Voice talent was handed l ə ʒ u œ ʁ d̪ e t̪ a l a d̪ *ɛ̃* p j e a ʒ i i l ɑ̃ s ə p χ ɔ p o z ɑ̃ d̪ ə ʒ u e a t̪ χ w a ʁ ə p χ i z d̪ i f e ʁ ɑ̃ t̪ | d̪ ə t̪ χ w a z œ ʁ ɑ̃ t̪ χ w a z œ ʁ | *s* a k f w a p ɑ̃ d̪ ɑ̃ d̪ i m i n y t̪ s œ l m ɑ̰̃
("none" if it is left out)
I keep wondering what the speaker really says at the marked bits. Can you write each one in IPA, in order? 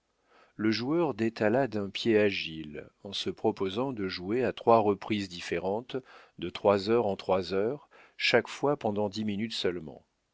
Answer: ɛ̃, ʃ

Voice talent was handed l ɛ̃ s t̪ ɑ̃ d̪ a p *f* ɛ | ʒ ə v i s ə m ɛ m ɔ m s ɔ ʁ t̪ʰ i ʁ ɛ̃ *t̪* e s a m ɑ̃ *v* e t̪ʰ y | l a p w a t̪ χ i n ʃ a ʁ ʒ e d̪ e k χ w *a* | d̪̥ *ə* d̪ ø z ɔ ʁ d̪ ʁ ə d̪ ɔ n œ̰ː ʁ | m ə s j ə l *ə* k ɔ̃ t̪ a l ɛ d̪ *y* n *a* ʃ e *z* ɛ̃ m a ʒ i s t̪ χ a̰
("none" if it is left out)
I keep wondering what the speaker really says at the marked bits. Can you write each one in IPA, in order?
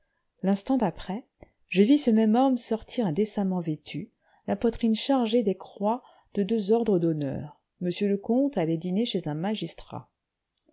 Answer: χ, d̪, v, a, ə, ə, i, e, z

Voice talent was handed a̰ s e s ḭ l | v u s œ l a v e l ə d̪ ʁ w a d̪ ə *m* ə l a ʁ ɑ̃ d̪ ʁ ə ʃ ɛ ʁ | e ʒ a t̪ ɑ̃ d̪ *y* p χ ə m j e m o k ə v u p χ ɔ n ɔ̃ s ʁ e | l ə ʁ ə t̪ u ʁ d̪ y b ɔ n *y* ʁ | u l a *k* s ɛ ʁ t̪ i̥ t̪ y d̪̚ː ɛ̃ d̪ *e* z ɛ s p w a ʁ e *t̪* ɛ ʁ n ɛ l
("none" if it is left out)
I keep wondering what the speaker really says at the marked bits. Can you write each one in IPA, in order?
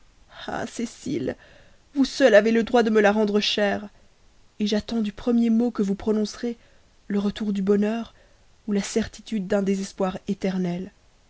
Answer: m, y, œ, none, e, t̪

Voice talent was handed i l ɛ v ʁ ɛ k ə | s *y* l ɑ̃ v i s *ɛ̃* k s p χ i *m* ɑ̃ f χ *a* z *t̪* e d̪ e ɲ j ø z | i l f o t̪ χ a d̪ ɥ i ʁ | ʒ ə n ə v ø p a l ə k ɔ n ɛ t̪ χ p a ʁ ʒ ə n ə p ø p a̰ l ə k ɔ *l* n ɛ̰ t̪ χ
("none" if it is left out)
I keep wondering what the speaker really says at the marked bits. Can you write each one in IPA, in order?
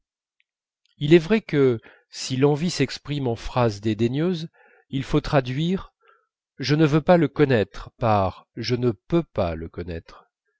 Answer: i, ɛ, m, a, d̪, none

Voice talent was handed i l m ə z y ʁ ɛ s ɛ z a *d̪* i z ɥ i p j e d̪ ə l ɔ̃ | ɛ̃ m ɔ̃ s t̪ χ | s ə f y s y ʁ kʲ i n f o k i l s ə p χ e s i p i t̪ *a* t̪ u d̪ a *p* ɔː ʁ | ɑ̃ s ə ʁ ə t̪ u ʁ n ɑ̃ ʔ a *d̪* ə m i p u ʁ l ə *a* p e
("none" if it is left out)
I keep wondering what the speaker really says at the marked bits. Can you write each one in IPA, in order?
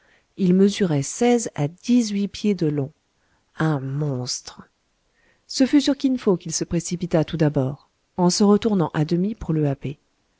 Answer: d̪, a, b, d̪, a

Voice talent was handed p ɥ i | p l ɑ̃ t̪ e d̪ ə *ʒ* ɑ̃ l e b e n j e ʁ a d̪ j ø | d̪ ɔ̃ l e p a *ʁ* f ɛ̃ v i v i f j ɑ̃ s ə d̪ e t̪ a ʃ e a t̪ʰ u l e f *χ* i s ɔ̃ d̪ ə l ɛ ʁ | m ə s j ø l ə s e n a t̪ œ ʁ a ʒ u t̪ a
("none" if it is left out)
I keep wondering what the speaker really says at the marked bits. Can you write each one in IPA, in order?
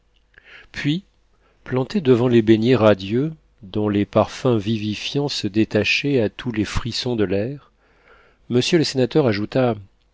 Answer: v, ʁ, χ

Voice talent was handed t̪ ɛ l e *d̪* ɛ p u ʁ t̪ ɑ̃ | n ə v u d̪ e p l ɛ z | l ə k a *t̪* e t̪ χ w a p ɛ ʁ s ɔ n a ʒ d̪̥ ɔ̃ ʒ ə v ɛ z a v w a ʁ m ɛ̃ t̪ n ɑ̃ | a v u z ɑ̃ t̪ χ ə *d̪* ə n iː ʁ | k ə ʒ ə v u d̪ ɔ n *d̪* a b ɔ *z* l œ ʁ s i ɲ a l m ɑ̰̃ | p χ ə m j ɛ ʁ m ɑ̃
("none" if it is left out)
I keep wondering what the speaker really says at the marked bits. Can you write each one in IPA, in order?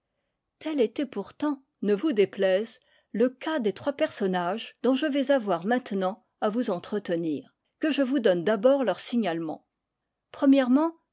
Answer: t̪, d̪, t̪, d̪, ʁ

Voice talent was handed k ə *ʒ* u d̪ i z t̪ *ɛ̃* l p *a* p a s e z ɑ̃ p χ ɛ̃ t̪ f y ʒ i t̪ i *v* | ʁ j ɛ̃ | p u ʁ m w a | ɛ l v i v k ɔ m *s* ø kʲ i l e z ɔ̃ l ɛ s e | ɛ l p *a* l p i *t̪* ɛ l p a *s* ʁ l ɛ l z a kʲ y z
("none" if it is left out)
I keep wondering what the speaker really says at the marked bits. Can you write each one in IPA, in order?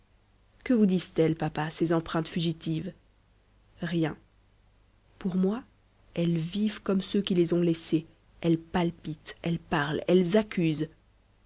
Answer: v, ɛ, a, v, s, a, t̪, none

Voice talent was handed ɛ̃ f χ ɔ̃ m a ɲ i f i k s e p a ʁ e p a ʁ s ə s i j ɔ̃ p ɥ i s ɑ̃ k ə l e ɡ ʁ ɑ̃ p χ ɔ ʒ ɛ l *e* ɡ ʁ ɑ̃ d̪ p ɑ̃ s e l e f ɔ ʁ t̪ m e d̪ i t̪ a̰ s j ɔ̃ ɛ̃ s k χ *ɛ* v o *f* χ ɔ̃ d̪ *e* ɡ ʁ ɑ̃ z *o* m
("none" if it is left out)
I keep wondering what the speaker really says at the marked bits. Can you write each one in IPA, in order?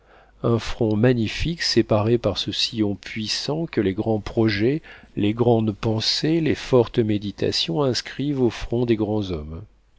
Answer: e, i, f, e, ɔ

